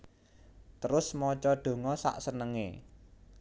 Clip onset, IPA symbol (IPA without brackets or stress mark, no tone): t̪